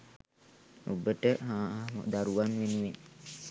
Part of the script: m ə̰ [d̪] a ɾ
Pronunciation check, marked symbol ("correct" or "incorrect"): correct